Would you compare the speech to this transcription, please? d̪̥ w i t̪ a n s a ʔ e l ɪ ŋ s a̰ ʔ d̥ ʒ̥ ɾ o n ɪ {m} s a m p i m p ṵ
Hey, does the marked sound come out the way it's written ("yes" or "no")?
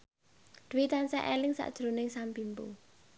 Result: no